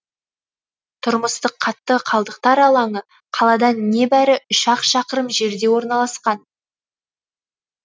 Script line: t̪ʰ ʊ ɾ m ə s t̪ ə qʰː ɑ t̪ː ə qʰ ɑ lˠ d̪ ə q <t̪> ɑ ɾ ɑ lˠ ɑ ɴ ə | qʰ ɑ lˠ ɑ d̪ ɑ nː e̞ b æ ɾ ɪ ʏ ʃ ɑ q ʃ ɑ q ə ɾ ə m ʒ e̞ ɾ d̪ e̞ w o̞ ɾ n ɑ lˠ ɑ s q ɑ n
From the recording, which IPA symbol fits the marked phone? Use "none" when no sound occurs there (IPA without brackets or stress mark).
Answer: t̪